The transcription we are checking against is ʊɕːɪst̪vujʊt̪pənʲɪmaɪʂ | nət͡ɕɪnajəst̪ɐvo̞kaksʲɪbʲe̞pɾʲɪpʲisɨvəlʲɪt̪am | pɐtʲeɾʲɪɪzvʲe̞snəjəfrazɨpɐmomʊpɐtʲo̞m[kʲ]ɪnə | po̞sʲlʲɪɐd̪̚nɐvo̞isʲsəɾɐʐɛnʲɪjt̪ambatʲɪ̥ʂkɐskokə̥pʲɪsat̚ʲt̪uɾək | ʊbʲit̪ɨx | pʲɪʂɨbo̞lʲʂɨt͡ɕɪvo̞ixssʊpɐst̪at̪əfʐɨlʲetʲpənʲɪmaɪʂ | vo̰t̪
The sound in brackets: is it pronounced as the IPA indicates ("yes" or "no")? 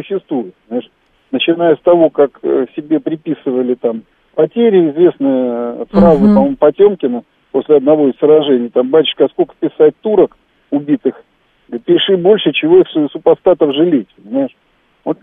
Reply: yes